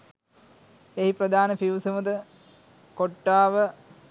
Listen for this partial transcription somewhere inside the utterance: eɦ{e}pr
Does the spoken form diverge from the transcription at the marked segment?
yes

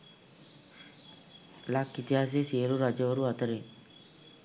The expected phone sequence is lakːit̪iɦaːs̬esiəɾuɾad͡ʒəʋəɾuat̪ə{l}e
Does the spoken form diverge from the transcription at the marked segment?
yes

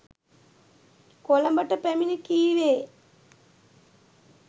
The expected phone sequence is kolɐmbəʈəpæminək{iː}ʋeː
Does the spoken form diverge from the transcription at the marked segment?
no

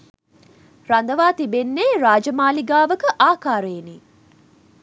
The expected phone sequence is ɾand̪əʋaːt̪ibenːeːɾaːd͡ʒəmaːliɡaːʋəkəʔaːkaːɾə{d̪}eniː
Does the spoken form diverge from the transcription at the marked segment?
yes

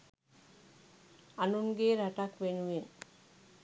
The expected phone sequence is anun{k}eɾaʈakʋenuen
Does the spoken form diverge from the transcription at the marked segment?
yes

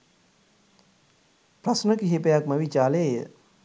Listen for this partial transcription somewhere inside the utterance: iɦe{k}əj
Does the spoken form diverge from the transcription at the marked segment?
yes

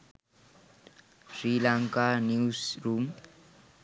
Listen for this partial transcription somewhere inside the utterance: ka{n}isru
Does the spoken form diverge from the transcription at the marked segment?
no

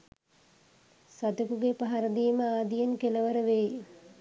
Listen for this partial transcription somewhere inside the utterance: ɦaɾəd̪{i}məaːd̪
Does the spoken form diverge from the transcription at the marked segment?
yes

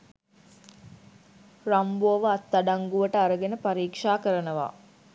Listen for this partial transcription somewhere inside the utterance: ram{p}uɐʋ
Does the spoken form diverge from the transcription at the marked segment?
yes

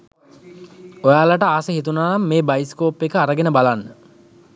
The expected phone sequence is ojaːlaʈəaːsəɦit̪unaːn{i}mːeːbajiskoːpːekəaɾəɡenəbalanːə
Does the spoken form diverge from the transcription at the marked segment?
yes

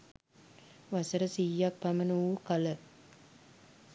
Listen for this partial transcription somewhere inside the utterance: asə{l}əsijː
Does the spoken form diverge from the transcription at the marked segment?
yes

